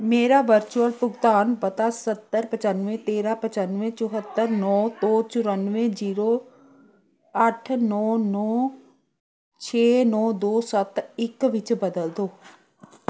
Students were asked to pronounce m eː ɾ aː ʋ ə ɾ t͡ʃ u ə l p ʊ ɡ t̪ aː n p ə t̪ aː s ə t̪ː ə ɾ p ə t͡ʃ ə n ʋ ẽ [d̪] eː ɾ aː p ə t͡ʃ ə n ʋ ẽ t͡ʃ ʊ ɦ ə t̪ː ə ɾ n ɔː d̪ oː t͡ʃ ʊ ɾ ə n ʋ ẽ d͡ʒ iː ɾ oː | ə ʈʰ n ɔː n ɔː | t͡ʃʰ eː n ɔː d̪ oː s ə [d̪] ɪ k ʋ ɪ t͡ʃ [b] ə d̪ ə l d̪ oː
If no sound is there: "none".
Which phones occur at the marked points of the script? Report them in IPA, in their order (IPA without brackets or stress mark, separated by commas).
t̪, t̪, b